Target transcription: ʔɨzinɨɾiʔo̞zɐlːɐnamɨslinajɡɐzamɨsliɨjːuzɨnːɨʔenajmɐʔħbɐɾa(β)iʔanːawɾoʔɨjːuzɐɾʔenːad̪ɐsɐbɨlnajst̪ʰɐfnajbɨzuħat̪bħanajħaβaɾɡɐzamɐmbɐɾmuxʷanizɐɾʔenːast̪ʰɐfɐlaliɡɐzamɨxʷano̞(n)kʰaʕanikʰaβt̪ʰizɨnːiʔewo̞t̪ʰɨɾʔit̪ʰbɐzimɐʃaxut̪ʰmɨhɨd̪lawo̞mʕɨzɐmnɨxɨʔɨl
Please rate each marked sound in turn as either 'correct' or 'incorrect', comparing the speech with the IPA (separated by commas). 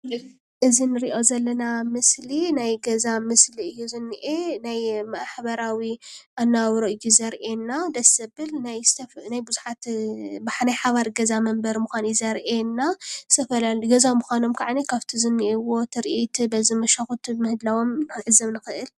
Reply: incorrect, incorrect